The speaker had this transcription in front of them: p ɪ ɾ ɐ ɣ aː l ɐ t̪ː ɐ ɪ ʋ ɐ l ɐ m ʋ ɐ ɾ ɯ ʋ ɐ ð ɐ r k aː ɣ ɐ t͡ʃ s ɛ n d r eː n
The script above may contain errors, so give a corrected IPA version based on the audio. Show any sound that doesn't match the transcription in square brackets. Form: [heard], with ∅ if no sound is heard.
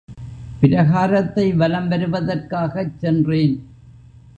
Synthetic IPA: p ɪ ɾ ɐ ɣ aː [ɾ] ɐ t̪ː ɐ ɪ ʋ ɐ l ɐ m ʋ ɐ ɾ ɯ ʋ ɐ ð ɐ r k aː ɣ ɐ t͡ʃ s ɛ n d r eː n

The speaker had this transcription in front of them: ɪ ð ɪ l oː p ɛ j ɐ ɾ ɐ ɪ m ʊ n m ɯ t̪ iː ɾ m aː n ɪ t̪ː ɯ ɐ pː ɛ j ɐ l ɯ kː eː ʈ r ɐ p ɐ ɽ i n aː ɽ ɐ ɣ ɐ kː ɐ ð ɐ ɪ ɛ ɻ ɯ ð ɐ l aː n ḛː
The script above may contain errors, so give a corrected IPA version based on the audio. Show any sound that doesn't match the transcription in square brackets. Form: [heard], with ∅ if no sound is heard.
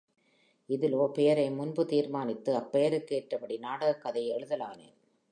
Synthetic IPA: ɪ ð ɪ l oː p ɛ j ɐ ɾ ɐ ɪ m ʊ n [b] ɯ t̪ iː ɾ m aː n ɪ t̪ː ɯ ɐ pː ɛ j ɐ [ɾ] ɯ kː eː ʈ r ɐ p ɐ ɽ i n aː ɽ ɐ ɣ ɐ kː ɐ ð ɐ ɪ ɛ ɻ ɯ ð ɐ l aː n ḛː

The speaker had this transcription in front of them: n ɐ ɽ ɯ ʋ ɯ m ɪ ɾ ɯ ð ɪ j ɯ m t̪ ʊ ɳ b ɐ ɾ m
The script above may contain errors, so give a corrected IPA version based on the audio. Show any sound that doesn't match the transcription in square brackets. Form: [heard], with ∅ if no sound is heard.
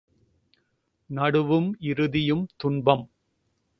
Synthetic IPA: n ɐ ɽ ɯ ʋ ɯ m ɪ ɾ ɯ ð ɪ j ɯ m t̪ ʊ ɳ b ɐ [∅] m

